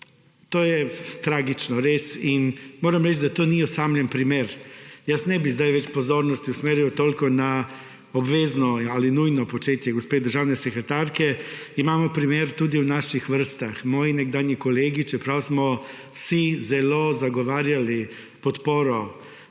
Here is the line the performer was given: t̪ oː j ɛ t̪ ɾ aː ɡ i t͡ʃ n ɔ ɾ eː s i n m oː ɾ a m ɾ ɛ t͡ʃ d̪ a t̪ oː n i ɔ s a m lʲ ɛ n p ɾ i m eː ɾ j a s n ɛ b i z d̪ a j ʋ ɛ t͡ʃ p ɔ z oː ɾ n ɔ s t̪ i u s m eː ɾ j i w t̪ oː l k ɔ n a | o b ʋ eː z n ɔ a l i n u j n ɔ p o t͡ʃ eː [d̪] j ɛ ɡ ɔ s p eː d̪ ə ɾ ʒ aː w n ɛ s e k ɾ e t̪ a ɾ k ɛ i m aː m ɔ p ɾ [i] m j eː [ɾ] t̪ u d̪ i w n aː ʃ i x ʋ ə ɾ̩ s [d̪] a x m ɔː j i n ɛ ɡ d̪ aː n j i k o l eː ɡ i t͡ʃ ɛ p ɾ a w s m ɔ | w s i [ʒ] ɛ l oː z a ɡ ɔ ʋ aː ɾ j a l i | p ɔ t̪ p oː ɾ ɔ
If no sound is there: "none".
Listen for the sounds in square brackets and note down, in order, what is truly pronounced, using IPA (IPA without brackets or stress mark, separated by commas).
t̪, i, ɾ, t̪, z